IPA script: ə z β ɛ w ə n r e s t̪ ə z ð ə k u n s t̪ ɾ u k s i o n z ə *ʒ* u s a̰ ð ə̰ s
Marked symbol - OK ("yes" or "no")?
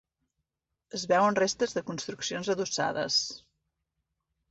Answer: no